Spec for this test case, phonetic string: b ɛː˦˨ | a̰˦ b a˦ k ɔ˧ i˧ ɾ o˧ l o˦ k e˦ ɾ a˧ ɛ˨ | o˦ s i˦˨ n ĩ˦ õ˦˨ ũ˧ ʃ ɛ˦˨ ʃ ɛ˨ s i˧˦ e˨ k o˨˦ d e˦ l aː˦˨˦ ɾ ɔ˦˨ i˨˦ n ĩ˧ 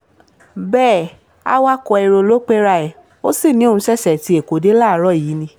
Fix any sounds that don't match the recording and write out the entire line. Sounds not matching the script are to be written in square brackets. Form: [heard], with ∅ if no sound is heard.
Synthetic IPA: b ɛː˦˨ | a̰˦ [w] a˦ k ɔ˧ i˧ ɾ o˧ l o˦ [k͡p] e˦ ɾ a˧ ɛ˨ | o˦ s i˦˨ n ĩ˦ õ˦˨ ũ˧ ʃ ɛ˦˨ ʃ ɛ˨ [t] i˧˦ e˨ k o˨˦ d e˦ l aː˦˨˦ ɾ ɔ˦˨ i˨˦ n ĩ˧